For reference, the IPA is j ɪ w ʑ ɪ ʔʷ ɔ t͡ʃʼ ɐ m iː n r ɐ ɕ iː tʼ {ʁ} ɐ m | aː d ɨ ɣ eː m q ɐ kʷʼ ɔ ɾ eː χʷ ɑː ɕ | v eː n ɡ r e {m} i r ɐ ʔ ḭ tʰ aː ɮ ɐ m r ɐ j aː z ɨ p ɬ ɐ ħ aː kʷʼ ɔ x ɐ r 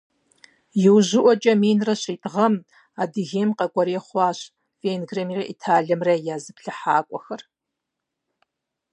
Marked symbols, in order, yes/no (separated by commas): yes, yes